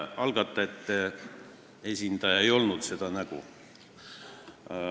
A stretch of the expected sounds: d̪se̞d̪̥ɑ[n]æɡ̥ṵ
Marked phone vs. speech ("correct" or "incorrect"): correct